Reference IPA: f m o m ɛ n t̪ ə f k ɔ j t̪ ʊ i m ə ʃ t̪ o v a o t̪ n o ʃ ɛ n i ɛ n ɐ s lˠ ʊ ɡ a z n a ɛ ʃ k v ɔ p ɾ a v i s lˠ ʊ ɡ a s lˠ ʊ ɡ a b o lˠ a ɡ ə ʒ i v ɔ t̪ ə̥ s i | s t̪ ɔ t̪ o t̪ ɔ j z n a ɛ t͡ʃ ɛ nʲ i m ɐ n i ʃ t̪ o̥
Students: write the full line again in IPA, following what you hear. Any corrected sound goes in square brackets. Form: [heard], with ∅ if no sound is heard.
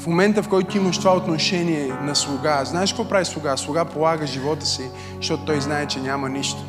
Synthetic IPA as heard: f m o m ɛ n t̪ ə f k ɔ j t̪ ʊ i m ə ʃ t̪ o v a o t̪ n o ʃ ɛ n i ɛ n ɐ s lˠ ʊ ɡ a z n a ɛ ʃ k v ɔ p ɾ a v i s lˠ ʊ ɡ a s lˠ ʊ ɡ a [p] o lˠ a ɡ ə ʒ i v ɔ t̪ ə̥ s i | [ʃ] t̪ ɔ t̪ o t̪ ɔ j z n a ɛ t͡ʃ ɛ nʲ [a] m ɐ n i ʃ t̪ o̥